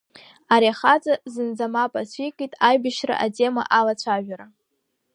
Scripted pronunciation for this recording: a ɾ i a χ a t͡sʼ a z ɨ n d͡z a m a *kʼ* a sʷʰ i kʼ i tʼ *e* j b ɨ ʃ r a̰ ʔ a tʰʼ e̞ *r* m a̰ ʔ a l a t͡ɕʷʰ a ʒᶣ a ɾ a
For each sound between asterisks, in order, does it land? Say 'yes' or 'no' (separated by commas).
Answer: no, no, no